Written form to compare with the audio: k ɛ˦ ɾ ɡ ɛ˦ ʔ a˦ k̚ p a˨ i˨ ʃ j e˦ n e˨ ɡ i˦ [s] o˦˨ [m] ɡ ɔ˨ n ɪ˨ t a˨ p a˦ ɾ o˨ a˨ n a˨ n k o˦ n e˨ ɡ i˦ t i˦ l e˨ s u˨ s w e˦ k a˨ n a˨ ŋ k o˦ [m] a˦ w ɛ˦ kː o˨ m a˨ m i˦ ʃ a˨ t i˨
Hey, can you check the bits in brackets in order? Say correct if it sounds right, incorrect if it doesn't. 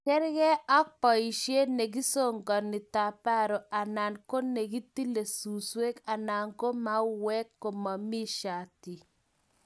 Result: correct, incorrect: ŋ, correct

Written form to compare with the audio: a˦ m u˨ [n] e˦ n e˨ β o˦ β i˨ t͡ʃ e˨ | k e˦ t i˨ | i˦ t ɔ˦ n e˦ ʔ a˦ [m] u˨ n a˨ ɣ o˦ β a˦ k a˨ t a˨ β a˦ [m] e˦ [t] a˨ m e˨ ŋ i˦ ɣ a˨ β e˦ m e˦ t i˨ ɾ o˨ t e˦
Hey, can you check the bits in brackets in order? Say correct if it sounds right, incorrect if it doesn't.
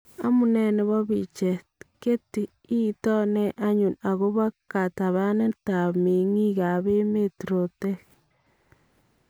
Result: correct, incorrect: ɲ, incorrect: n, correct

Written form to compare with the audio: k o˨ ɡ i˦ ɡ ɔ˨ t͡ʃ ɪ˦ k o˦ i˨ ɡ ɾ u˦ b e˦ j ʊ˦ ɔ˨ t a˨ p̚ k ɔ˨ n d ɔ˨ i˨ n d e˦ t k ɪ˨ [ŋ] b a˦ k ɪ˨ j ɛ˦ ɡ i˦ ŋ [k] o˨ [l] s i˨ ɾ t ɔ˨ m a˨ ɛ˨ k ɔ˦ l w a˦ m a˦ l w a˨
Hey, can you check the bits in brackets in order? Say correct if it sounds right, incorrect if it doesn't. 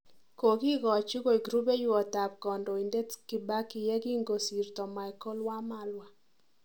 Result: incorrect: none, incorrect: ɡ, incorrect: none

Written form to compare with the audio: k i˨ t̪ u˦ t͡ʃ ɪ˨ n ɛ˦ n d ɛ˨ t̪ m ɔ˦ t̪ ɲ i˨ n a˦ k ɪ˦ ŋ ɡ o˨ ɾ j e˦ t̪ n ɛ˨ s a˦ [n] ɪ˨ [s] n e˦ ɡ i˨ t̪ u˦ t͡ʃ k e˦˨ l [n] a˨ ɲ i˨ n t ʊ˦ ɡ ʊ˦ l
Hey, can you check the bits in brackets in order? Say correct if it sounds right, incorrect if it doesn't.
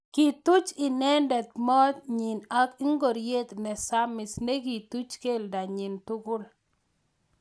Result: incorrect: m, correct, incorrect: d

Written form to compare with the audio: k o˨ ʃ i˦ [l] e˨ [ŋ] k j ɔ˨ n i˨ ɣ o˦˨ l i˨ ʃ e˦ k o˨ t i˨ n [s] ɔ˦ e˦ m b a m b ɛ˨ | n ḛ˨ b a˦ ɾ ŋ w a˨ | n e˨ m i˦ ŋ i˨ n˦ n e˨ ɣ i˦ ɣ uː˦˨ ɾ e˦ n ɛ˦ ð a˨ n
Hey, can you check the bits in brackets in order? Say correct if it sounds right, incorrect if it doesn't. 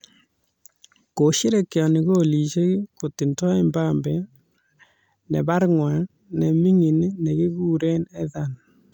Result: incorrect: ɾ, incorrect: none, incorrect: t

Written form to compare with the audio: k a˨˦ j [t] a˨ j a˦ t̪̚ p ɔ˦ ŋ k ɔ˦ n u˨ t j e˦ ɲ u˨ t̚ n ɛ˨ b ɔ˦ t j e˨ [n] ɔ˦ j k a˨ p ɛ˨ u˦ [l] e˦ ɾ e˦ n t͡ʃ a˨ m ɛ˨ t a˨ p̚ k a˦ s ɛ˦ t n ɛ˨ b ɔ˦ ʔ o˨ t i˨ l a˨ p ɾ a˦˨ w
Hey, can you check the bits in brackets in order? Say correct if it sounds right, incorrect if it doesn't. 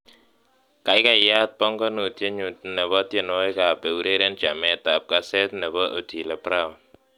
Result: incorrect: k, correct, incorrect: ɾ

